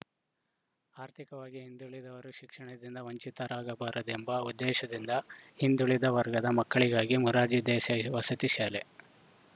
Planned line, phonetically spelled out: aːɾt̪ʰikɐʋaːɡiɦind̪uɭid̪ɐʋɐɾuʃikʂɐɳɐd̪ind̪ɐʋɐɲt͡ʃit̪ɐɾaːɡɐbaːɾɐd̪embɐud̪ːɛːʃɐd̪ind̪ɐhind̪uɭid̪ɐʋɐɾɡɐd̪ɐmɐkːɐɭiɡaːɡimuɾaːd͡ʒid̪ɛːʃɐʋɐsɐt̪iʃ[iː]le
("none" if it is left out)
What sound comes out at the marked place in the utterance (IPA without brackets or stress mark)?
aː